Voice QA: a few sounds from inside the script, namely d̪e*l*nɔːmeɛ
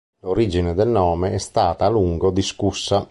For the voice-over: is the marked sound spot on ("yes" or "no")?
yes